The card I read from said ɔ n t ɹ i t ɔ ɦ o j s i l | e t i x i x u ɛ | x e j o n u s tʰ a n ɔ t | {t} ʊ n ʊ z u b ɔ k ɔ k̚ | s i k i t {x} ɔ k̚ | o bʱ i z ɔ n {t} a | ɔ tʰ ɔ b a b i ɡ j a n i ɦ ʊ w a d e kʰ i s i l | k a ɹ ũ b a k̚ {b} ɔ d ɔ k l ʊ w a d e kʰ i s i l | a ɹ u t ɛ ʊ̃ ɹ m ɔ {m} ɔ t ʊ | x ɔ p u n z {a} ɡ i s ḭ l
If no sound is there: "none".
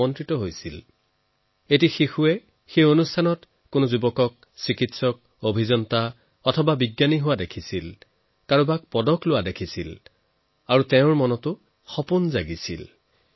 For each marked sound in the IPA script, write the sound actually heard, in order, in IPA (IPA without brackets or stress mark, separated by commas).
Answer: k, s, t, p, n, a